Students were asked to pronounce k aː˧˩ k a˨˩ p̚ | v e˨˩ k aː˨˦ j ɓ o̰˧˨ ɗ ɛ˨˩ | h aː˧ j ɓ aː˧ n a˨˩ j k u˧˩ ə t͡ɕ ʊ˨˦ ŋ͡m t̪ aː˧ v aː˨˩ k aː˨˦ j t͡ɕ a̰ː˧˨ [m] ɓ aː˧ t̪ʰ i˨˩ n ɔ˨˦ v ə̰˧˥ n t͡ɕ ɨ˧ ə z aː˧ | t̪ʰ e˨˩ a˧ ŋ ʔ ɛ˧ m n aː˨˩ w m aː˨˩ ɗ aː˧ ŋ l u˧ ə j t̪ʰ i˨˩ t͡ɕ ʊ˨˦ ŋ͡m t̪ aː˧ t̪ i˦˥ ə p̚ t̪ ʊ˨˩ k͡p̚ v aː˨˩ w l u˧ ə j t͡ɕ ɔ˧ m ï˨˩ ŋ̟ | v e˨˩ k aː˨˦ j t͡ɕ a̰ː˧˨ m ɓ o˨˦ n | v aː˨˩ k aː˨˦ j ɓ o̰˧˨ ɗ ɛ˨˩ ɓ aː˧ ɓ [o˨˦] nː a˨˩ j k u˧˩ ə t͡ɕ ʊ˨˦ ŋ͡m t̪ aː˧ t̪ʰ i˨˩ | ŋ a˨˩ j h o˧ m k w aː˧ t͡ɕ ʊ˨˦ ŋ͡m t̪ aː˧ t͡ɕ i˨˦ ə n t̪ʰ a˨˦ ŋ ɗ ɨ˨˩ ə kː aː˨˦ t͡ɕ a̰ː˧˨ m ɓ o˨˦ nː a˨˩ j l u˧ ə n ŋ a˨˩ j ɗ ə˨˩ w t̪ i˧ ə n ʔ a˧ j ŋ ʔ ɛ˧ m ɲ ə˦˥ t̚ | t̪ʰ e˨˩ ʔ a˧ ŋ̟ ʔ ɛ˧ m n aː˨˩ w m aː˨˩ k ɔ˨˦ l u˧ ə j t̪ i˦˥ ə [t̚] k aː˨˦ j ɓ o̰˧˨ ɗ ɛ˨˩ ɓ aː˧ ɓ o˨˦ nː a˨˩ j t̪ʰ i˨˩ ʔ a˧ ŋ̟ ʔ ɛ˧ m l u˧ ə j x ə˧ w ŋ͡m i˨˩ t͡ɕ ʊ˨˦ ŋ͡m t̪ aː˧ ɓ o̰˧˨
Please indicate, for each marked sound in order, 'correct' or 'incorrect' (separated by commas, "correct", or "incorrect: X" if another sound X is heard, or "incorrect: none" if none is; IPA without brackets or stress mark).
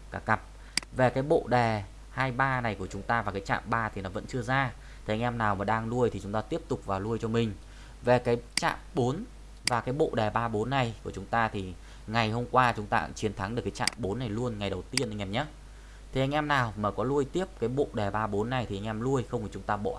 correct, correct, incorrect: p̚